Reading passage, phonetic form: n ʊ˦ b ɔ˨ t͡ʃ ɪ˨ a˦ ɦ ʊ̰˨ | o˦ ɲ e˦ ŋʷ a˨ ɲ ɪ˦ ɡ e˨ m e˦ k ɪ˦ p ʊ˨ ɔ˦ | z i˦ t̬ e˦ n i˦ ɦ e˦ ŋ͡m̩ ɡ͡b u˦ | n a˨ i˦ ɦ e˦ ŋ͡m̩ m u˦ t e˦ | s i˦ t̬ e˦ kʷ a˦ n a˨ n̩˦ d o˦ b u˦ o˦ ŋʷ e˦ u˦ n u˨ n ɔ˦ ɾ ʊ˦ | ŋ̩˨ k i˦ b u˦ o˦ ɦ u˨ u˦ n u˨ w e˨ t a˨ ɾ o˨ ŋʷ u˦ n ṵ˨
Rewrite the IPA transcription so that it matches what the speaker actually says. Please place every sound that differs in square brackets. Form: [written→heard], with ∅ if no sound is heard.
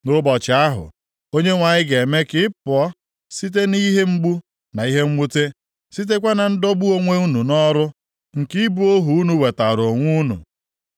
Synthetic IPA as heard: n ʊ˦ b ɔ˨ t͡ʃ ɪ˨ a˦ ɦ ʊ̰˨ | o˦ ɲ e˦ ŋʷ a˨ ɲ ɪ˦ ɡ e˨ m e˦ k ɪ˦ p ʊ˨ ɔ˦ | [z→s] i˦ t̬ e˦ n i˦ ɦ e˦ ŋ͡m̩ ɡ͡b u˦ | n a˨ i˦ ɦ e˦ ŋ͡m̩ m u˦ t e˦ | s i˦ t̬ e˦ kʷ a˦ n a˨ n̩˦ d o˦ b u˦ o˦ ŋʷ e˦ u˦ n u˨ n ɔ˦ ɾ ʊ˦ | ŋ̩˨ k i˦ b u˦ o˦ ɦ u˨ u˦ n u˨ w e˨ t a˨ ɾ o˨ ŋʷ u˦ n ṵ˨